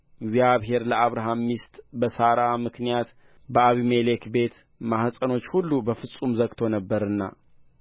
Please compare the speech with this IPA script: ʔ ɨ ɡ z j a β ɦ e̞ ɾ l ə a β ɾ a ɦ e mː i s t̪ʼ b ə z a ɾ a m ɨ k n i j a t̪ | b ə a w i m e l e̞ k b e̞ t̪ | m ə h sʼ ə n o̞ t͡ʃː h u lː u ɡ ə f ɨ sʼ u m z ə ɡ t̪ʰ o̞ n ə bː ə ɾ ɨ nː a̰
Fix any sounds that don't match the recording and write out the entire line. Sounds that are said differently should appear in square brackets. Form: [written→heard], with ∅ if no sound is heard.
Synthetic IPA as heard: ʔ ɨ ɡ z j a β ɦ e̞ ɾ l ə a β ɾ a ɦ [e→a] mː i s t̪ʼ b ə [z→s] a ɾ a m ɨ k n i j a t̪ | b ə a [w→β] i m e l e̞ k b e̞ t̪ | m [ə→a] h sʼ ə n o̞ t͡ʃː h u lː u [ɡ→b] ə f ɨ sʼ u m z ə ɡ t̪ʰ o̞ n ə bː ə ɾ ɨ nː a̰